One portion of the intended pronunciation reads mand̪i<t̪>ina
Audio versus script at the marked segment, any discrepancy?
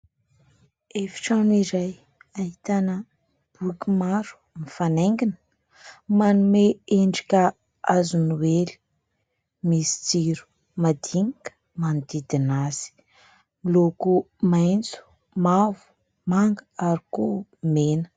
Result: yes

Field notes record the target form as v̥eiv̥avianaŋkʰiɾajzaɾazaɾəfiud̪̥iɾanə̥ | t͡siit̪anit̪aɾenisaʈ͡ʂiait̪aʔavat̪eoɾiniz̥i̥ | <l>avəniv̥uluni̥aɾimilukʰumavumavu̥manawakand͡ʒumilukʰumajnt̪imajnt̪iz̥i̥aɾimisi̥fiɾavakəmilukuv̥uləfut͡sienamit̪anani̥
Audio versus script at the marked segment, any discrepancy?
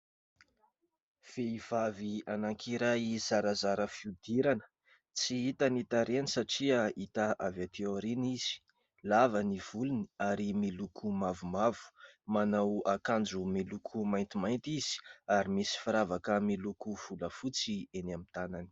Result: no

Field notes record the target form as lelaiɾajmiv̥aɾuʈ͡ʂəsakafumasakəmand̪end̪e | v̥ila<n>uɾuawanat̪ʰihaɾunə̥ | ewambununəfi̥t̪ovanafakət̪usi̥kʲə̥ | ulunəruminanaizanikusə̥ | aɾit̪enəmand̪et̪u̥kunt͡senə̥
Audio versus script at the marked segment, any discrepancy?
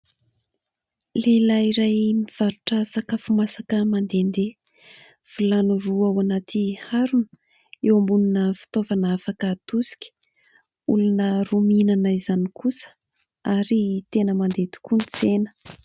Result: no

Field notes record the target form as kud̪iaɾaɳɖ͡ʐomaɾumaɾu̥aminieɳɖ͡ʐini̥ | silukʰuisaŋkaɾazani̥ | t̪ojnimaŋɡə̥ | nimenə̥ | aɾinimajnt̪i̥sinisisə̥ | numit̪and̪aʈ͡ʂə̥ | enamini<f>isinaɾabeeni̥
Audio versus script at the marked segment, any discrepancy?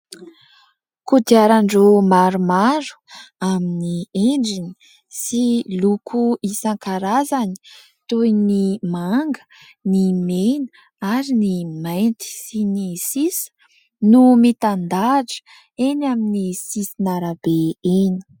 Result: yes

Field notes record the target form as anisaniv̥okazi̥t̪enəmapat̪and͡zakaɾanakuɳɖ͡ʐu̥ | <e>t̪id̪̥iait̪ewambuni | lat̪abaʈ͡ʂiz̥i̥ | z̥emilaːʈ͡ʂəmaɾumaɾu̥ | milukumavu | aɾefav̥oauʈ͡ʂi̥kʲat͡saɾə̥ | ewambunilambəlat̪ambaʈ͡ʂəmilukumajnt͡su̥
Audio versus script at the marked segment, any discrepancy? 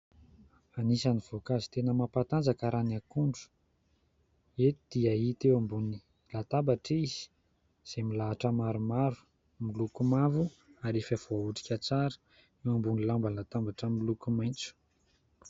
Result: no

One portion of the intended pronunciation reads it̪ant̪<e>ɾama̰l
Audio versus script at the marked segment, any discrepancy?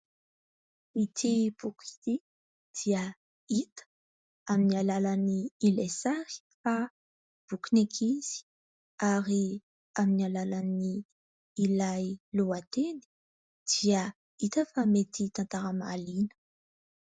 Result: yes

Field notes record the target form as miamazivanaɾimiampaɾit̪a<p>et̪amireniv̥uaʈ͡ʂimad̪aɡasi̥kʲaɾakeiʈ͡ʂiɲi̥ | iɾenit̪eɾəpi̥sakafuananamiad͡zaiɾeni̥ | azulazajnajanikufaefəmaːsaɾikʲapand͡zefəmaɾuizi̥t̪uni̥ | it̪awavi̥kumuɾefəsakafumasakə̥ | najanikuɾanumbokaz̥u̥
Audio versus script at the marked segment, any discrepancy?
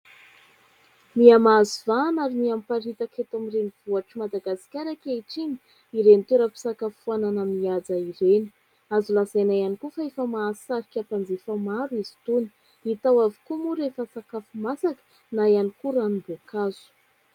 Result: yes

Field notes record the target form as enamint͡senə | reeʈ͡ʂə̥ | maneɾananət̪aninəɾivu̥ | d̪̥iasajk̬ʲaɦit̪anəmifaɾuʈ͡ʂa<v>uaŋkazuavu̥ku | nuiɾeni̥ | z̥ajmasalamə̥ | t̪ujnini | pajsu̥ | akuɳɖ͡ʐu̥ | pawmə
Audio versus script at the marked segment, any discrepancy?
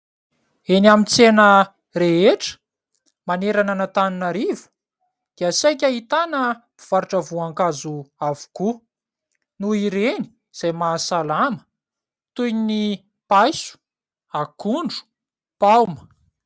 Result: no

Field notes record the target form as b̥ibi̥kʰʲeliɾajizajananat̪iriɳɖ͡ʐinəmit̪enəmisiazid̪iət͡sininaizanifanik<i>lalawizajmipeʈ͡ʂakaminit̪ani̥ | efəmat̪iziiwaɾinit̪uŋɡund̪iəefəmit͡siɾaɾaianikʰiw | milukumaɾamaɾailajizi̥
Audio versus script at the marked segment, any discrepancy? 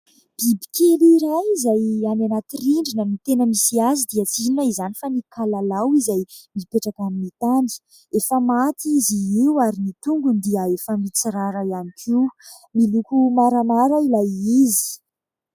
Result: yes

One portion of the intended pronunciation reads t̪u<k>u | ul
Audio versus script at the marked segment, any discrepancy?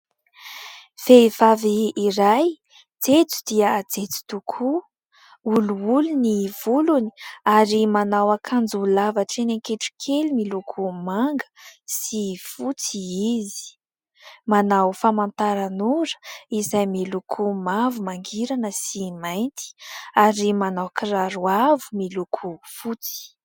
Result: yes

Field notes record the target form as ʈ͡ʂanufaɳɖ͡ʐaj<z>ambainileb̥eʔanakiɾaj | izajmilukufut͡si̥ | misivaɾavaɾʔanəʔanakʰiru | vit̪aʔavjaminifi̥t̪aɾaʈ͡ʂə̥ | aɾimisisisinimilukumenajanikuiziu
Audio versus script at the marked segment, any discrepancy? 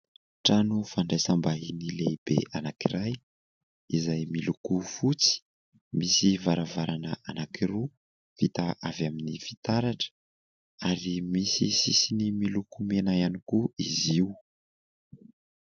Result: yes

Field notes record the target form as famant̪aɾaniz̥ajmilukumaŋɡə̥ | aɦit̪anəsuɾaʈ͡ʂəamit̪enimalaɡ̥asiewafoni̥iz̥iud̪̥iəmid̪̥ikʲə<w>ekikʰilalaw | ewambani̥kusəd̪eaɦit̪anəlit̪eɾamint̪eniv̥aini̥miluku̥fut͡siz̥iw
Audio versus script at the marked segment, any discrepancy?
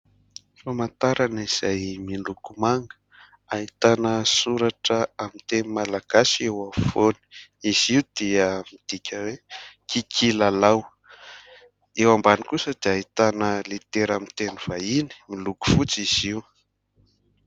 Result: no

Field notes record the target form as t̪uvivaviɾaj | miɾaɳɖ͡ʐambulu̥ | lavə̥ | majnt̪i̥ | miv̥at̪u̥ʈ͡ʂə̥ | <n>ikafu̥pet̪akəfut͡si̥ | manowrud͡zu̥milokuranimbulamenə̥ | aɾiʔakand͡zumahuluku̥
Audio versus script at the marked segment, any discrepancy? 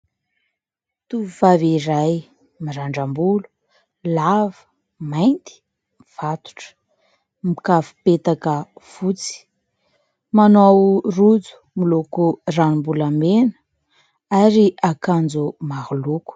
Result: yes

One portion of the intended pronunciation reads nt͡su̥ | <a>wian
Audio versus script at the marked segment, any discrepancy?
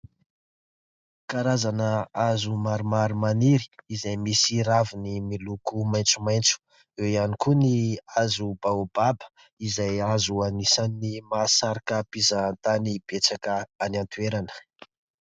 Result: yes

